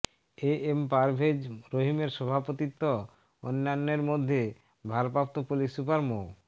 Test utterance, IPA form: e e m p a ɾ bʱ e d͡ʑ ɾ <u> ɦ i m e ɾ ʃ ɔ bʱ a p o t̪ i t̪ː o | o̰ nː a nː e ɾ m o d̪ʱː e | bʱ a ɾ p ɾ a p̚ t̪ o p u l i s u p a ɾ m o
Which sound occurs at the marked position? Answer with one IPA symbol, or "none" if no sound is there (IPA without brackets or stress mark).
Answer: o